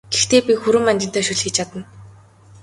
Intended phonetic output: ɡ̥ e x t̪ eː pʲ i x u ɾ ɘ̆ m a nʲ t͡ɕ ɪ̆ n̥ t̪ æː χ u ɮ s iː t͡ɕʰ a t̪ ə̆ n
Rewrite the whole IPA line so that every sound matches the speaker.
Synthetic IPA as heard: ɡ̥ e x t̪ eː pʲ i x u ɾ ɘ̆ m a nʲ t͡ɕ ɪ̆ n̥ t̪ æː ʃ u ɮ x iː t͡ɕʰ a t̪ ə̆ n